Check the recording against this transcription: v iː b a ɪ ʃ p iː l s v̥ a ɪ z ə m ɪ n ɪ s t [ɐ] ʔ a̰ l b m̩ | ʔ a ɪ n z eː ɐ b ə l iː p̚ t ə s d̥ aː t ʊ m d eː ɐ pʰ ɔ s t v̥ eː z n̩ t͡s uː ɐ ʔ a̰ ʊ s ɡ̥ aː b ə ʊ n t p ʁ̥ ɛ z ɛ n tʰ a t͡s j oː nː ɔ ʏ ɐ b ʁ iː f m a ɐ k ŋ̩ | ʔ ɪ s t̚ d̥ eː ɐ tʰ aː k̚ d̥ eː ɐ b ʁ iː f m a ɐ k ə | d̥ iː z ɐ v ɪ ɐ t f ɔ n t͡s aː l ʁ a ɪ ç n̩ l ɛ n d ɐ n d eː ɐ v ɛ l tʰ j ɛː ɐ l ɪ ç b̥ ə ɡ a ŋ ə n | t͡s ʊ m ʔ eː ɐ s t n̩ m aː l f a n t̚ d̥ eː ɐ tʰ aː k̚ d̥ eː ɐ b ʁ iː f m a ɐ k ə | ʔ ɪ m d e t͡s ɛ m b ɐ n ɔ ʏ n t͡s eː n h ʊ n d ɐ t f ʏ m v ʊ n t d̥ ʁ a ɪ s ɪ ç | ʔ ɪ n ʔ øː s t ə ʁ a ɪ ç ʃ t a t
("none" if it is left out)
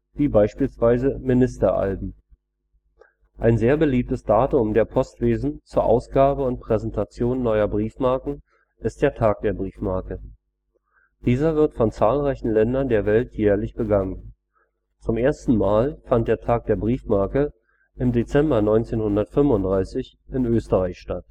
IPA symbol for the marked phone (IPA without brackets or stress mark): ɐ